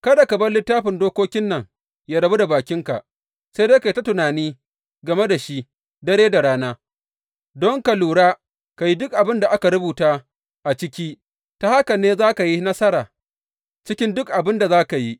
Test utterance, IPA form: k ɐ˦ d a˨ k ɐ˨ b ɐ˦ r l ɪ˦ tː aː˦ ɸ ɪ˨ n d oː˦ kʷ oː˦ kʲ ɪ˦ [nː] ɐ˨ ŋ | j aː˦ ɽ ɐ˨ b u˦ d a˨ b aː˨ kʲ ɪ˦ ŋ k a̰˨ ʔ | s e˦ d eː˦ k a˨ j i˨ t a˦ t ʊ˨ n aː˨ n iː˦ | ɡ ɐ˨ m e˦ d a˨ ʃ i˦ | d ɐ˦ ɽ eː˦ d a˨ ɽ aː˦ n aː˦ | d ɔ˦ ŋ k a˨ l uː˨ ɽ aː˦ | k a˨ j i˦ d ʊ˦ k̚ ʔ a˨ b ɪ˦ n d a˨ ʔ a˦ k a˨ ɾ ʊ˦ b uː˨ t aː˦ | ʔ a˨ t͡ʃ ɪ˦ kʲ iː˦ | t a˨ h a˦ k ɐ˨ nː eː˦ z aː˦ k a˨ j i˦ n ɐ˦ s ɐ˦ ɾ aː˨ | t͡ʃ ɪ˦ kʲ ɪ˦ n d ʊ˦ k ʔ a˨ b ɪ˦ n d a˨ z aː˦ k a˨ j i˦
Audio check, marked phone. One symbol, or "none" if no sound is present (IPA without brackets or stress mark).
nː